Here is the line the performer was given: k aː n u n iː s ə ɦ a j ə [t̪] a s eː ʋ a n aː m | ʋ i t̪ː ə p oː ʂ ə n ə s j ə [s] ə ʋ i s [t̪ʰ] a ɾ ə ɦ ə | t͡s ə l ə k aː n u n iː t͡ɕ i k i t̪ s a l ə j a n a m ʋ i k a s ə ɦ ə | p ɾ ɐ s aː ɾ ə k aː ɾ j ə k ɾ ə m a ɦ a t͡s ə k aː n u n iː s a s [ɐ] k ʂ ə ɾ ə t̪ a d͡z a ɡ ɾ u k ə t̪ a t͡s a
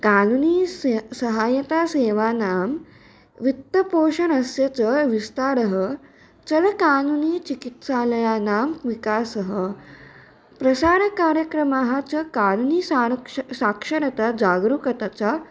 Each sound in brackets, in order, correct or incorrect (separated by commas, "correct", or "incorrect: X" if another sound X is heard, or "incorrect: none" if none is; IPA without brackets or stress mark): correct, incorrect: t͡s, incorrect: t̪, incorrect: a